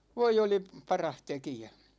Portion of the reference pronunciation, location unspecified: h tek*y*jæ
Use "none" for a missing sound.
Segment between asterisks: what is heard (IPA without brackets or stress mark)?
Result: i